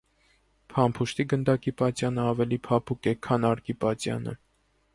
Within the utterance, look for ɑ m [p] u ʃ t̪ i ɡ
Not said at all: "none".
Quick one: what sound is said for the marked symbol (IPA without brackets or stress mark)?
pʰ